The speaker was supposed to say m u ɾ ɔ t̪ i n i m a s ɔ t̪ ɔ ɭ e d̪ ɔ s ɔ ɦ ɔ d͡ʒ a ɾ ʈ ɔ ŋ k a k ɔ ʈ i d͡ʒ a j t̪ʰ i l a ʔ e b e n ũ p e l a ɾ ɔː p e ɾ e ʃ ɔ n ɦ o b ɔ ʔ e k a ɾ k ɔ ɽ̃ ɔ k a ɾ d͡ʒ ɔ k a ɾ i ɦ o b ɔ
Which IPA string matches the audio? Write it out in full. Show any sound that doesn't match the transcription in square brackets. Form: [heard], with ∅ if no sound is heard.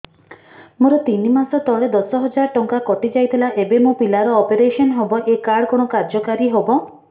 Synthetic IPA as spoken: m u ɾ ɔ t̪ i n i m a s ɔ t̪ ɔ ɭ e d̪ ɔ s ɔ ɦ ɔ d͡ʒ a ɾ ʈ ɔ ŋ k a k ɔ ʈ i d͡ʒ a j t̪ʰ i l a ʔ e b e [m] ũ p [i] l a ɾ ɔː p e ɾ e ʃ ɔ n ɦ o b ɔ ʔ e k a [ɽ] k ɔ ɽ̃ ɔ k a ɾ d͡ʒ ɔ k a ɾ i ɦ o b ɔ